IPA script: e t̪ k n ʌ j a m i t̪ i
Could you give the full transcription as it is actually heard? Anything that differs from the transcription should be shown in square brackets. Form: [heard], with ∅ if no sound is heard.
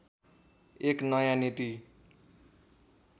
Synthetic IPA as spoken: e [∅] k n ʌ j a [n] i t̪ i